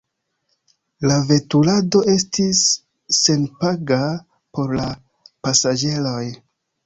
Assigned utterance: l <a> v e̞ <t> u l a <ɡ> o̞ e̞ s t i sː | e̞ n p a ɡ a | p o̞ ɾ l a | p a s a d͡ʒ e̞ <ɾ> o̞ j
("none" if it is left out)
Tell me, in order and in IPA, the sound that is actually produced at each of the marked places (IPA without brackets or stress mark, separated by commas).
a, t, d, l